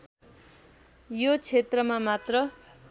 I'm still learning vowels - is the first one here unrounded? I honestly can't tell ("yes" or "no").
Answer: no